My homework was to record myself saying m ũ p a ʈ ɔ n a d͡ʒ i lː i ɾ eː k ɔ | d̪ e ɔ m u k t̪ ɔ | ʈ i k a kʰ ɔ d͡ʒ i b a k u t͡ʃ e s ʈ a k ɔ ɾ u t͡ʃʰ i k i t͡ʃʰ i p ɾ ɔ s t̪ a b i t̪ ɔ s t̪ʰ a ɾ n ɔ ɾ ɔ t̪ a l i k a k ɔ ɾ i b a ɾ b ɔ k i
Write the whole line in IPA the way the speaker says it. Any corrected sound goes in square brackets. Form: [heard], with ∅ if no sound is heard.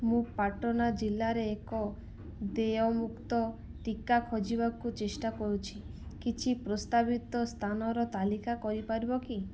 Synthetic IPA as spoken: m ũ p a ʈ ɔ n a d͡ʒ i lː [a] ɾ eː k ɔ | d̪ e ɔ m u k t̪ ɔ | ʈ i k a kʰ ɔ d͡ʒ i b a k u t͡ʃ e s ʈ a k ɔ ɾ u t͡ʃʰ i k i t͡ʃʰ i p ɾ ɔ s t̪ a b i t̪ ɔ s t̪ʰ a [∅] n ɔ ɾ ɔ t̪ a l i k a k ɔ ɾ i [p] a ɾ b ɔ k i